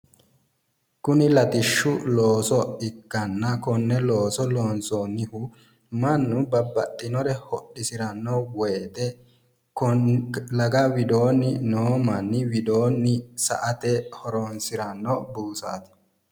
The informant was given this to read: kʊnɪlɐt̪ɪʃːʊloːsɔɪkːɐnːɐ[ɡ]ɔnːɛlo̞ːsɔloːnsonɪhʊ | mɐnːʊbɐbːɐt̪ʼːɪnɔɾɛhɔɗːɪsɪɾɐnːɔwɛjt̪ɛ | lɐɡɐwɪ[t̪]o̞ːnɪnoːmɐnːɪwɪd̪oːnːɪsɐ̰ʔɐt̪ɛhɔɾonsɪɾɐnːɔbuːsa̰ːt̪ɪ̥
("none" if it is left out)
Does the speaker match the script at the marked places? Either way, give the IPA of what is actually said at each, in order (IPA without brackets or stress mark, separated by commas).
k, d̪